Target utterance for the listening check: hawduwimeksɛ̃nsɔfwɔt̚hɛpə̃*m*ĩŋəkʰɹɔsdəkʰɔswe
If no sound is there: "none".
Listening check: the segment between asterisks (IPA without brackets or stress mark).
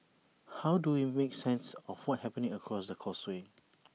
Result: n